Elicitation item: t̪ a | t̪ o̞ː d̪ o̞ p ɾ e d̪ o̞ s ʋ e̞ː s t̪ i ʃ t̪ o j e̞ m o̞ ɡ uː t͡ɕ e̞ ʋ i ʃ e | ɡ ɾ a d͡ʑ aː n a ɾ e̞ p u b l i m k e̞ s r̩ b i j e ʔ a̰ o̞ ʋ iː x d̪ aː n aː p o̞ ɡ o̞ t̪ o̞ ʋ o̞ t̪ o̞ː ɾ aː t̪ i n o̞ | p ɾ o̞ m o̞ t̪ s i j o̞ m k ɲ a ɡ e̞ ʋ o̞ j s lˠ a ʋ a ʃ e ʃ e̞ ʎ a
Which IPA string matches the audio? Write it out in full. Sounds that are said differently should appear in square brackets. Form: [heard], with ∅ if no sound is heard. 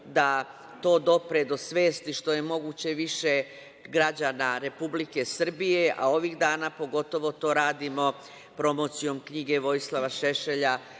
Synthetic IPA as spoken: [d̪] a | t̪ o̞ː d̪ o̞ p ɾ e d̪ o̞ s ʋ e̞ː s t̪ i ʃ t̪ o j e̞ m o̞ ɡ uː t͡ɕ e̞ ʋ i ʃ e | ɡ ɾ a d͡ʑ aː n a ɾ e̞ p u b l i [∅] k e̞ s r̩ b i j e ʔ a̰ o̞ ʋ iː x d̪ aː n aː p o̞ ɡ o̞ t̪ o̞ ʋ o̞ t̪ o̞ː ɾ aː [d̪] i [m] o̞ | p ɾ o̞ m o̞ t̪ s i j o̞ m k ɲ [i] ɡ e̞ ʋ o̞ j s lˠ a ʋ a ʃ e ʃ e̞ ʎ a

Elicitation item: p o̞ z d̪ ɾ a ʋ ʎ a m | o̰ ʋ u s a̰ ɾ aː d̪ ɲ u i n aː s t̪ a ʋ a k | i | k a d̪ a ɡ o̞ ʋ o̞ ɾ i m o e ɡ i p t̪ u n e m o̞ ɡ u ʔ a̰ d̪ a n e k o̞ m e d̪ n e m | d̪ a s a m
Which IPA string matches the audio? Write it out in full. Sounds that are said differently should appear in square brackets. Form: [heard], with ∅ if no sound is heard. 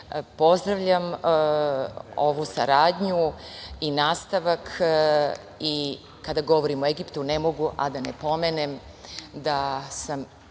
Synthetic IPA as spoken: p o̞ z d̪ ɾ a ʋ ʎ a m | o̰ ʋ u s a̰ ɾ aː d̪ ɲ u i n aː s t̪ a ʋ a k | i | k a d̪ a ɡ o̞ ʋ o̞ ɾ i m o e ɡ i p t̪ u n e m o̞ ɡ u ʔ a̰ d̪ a n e [p] o̞ m e [∅] n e m | d̪ a s a m

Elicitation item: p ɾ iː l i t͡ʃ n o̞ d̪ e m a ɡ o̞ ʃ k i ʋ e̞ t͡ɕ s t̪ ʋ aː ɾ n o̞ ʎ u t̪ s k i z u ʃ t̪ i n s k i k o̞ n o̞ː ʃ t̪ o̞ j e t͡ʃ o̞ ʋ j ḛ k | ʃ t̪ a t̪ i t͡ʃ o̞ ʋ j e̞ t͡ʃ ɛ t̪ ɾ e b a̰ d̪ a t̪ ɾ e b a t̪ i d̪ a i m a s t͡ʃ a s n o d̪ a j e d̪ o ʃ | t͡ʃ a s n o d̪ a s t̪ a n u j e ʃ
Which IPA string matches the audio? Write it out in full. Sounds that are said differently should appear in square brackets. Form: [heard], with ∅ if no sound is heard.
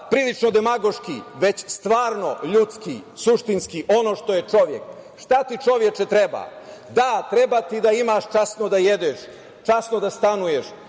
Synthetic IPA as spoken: p ɾ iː l i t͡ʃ n o̞ d̪ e m a ɡ o̞ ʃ k i ʋ e̞ t͡ɕ s t̪ ʋ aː ɾ n o̞ ʎ u t̪ s k i [s] u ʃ t̪ i n s k i [ʔ] o̞ n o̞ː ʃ t̪ o̞ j e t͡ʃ o̞ ʋ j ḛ k | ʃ t̪ a t̪ i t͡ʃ o̞ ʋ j e̞ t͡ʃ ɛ t̪ ɾ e b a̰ d̪ a t̪ ɾ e b a t̪ i d̪ a i m a [ʃ] t͡ʃ a s n o d̪ a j e d̪ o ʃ | t͡ʃ a s n o d̪ a s t̪ a n u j e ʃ

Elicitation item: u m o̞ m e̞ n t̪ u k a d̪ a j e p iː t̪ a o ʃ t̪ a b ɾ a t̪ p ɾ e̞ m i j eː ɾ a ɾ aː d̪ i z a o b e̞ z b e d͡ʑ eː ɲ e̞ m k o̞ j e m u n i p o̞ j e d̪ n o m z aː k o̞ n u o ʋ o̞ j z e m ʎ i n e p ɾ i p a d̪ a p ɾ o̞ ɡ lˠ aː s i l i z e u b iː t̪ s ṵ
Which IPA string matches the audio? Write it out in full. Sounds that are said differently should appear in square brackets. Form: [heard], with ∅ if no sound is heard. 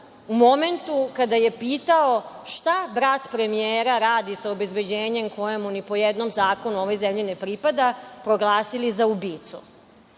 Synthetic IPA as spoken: u m o̞ m e̞ n t̪ u k a d̪ a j e p iː t̪ a o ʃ t̪ a b ɾ a t̪ p ɾ e̞ m i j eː ɾ a ɾ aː d̪ i [s] a o b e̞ z b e d͡ʑ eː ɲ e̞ m k o̞ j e m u n i p o̞ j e d̪ n o m z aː k o̞ n u o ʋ o̞ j z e m ʎ i n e p ɾ i p a d̪ a p ɾ o̞ ɡ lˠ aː s i l i z [a] u b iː t̪ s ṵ

